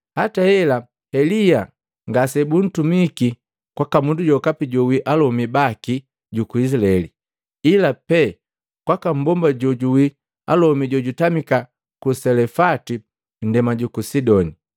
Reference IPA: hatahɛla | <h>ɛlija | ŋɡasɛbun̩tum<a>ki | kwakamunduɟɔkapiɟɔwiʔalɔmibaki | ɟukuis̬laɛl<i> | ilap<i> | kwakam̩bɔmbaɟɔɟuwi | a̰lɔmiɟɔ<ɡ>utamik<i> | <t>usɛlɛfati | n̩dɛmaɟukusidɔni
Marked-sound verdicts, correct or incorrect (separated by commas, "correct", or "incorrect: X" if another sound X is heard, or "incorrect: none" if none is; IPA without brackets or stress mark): correct, incorrect: i, correct, incorrect: ɛ, incorrect: ɟ, incorrect: a, incorrect: k